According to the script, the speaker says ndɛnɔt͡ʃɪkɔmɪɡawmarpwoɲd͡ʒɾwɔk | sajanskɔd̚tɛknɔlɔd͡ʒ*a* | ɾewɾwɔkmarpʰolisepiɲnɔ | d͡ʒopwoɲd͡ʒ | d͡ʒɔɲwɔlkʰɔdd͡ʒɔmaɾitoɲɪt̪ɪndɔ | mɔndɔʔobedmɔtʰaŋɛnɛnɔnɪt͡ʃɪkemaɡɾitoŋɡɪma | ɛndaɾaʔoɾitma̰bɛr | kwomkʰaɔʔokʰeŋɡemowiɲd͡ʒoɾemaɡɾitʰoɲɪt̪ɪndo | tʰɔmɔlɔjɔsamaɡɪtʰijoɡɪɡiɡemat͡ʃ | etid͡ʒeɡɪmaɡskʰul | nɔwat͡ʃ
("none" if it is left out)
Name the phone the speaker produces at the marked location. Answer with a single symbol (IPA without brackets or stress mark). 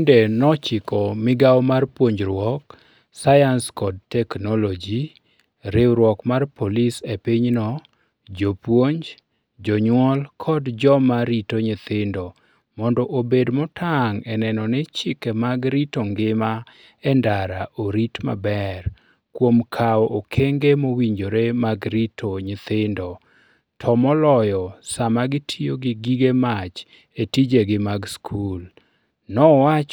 i